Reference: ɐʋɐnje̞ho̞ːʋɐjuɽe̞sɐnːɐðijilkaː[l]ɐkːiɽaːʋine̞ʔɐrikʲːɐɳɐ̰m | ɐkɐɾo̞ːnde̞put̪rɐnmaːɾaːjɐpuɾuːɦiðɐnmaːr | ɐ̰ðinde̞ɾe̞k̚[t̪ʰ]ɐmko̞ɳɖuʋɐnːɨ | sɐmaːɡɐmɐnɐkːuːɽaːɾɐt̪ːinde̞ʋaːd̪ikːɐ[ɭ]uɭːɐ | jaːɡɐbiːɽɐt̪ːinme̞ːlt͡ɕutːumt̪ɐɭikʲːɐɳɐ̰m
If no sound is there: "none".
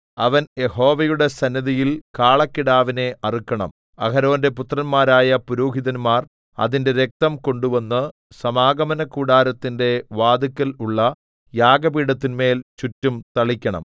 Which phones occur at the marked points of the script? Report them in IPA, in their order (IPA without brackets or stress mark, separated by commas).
ɭ, t̪, l